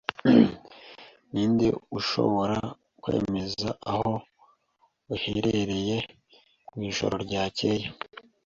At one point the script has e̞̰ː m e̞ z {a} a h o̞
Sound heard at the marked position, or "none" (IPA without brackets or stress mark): a